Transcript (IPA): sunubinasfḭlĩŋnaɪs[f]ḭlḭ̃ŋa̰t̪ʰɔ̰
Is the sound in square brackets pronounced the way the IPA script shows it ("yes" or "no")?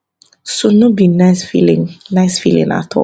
yes